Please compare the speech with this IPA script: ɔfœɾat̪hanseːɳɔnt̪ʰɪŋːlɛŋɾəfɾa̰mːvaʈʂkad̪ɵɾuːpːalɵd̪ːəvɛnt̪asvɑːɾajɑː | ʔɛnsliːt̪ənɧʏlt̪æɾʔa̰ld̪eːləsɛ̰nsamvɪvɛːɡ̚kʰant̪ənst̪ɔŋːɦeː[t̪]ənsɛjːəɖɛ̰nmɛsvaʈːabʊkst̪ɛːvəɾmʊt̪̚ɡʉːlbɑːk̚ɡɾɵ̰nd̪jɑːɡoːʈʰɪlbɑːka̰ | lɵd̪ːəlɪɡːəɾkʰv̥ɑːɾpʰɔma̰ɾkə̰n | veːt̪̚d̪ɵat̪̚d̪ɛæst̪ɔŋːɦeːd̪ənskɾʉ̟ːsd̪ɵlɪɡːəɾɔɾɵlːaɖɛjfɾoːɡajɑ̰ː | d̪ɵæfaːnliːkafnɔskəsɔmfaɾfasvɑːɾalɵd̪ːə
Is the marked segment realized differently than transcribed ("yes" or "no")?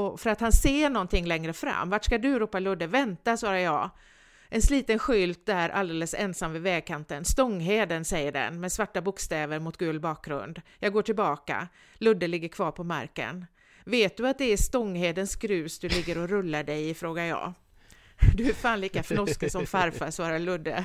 yes